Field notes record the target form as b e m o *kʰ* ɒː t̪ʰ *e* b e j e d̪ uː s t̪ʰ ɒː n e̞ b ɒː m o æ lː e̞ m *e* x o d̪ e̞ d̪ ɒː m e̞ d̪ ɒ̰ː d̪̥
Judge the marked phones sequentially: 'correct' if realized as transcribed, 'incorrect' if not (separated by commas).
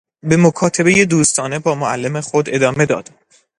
correct, correct, correct